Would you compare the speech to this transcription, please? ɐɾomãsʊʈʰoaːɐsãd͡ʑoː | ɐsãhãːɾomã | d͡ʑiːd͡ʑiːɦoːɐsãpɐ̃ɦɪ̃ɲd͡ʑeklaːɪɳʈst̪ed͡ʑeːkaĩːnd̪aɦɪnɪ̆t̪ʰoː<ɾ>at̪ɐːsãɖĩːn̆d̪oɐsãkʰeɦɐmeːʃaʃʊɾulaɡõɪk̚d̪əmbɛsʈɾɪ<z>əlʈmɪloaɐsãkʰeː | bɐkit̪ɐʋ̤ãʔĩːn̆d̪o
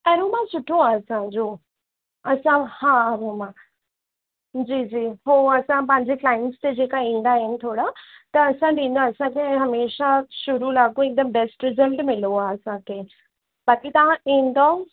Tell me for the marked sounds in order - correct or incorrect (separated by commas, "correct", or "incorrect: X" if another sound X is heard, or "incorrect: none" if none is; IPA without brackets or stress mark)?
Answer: incorrect: ɽ, correct